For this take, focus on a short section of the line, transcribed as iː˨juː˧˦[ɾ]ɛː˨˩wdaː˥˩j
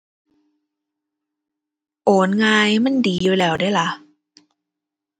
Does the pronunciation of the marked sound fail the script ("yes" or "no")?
yes